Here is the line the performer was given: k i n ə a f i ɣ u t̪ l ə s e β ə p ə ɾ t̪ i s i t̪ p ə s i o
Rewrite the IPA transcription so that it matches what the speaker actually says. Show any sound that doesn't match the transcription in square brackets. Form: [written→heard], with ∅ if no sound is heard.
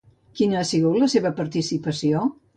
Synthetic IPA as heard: k i n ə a [f→s] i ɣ u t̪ l ə s e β ə p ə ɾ t̪ i s i [t̪→∅] p ə s i o